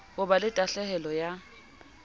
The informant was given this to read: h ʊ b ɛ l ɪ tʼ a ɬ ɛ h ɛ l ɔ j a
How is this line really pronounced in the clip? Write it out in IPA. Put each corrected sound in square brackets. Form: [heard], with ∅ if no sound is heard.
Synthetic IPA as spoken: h ʊ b [a] l ɪ tʼ a ɬ ɛ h ɛ l ɔ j a